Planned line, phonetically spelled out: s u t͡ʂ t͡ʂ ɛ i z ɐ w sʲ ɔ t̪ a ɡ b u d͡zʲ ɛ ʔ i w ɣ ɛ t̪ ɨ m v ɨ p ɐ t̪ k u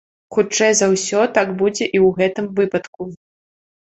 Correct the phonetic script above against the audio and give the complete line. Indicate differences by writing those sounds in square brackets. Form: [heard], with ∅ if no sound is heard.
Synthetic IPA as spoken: [x] u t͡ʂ t͡ʂ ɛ [j] z ɐ w sʲ ɔ t̪ a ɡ b u d͡zʲ ɛ ʔ i w ɣ ɛ t̪ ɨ m v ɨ p ɐ t̪ k u